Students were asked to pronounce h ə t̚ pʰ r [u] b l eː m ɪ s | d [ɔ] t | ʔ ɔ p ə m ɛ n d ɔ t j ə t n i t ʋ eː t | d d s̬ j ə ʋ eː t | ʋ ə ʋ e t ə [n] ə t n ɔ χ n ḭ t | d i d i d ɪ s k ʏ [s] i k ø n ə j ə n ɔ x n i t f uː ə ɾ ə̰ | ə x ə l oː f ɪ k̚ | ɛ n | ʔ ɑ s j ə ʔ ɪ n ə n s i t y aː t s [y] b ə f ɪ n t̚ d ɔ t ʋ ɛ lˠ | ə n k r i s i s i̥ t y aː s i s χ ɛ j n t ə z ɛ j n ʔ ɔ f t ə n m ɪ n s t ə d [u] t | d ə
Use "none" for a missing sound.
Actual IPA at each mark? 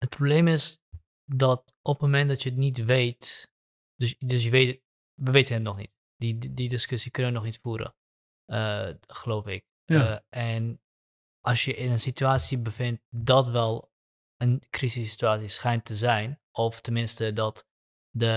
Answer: o, ɔ, n, s, i, ɔ

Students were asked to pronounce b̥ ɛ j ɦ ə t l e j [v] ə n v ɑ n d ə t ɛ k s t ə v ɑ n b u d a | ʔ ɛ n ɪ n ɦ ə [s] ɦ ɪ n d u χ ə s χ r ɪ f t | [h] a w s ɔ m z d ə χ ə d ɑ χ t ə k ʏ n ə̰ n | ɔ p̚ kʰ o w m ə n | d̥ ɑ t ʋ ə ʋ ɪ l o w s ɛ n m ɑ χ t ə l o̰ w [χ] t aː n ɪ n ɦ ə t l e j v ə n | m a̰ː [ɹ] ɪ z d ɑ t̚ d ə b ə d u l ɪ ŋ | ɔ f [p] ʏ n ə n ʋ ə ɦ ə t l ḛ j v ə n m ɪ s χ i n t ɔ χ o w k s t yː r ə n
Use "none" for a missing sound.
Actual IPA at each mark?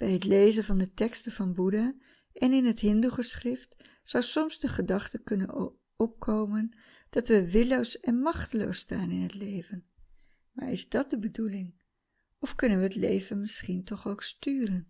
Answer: z, t, s, s, ɹ, k

